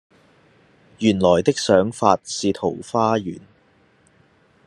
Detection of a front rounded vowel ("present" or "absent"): present